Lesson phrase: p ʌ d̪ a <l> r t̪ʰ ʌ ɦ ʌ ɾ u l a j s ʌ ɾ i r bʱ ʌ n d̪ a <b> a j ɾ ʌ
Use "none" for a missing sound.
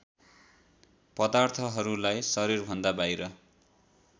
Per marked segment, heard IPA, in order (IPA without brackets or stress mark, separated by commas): none, b